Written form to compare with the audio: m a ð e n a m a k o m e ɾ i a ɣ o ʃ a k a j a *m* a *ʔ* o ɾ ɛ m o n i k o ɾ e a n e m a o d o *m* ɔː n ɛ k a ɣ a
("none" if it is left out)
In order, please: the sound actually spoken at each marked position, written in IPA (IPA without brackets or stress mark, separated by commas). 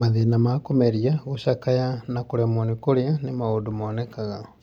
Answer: n, k, m